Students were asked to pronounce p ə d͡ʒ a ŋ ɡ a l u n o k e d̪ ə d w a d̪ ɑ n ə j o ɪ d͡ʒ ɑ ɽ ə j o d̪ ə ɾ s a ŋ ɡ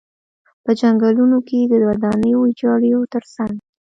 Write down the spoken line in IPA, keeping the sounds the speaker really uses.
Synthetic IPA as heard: p ə d͡ʒ a ŋ ɡ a l u n o k e d̪ ə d w a d̪ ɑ n ə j o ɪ d͡ʒ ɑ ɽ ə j o t̪ ə ɾ s a ŋ ɡ